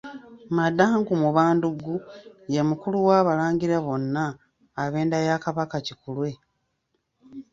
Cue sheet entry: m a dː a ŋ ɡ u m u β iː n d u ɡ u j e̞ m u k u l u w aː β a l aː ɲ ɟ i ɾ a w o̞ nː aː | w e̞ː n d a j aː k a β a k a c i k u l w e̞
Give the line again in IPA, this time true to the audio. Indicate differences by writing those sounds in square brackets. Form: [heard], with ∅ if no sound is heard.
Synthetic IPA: m a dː a ŋ ɡ u m u β [aː] n d u ɡ u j e̞ m u k u l u w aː β a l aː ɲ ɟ i ɾ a [β] o̞ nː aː | [β] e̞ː n d a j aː k a β a k a c i k u l w e̞